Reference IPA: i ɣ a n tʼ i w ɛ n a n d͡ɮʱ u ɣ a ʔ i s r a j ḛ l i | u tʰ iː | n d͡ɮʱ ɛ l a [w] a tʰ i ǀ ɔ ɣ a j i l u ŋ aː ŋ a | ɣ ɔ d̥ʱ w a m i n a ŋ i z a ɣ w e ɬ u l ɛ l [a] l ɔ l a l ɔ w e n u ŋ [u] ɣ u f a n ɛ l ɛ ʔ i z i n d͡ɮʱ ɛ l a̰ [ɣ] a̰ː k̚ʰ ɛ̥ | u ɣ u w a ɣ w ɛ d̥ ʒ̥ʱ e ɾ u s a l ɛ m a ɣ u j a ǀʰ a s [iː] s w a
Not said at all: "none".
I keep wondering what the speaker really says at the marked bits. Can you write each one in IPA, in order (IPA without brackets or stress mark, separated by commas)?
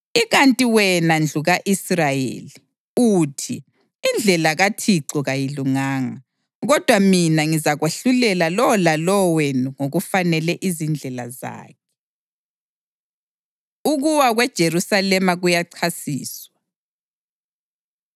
ɣ, a, o, z, iː